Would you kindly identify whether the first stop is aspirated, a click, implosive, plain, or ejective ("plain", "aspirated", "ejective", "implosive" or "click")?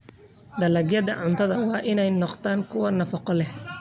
plain